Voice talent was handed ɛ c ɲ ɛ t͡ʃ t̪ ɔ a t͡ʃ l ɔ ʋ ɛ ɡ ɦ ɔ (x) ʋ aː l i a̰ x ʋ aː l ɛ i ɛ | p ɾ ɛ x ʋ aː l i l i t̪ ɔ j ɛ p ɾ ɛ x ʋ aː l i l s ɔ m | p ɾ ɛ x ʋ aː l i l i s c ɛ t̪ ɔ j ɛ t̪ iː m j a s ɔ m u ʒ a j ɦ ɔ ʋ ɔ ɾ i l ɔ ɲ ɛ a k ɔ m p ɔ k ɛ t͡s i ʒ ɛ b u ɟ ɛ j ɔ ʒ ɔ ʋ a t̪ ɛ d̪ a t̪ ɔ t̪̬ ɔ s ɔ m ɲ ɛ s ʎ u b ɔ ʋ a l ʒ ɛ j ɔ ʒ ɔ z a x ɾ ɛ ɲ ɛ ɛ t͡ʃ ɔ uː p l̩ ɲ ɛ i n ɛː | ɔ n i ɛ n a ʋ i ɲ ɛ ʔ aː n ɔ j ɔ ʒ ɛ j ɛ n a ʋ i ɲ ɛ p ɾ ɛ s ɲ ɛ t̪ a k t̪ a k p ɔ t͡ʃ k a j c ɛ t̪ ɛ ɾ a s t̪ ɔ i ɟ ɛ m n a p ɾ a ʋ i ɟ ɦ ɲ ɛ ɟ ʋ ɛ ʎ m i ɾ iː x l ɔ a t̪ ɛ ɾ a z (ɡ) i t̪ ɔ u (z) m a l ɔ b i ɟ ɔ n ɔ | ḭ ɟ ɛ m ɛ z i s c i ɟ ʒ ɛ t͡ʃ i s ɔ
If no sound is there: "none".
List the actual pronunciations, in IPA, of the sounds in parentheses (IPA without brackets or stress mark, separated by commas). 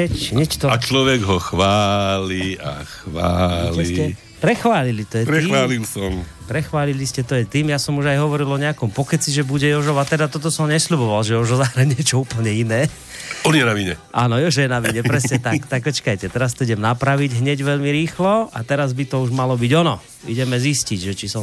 x, b, ʒ